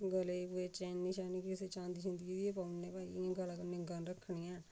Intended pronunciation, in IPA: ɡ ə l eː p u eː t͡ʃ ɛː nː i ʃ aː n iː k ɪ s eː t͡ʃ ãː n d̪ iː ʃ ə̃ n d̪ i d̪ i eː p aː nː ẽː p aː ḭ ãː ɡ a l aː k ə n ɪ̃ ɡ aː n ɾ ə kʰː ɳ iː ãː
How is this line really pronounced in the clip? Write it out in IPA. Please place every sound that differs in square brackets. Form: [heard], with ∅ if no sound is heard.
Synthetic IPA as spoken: ɡ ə l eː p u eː t͡ʃ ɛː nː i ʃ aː n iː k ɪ s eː t͡ʃ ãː n d̪ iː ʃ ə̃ n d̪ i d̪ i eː p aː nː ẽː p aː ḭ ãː ɡ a l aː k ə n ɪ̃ ɡ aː n ɾ ə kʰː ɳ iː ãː